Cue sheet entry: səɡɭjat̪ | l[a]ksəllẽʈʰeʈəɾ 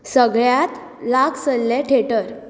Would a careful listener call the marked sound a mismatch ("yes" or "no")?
no